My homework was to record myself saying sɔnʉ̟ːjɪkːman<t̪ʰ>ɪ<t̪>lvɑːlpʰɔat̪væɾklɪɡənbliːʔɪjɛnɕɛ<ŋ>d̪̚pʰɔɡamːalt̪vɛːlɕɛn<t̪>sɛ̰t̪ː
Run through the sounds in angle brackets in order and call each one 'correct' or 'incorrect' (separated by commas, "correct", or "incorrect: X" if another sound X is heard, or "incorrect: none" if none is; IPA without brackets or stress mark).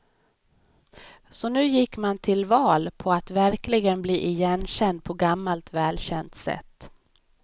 correct, incorrect: none, incorrect: n, correct